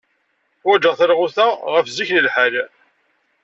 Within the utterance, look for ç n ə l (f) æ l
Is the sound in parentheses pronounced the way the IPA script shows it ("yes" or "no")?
no